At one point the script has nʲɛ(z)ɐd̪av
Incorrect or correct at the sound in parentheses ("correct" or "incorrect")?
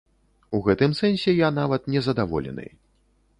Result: correct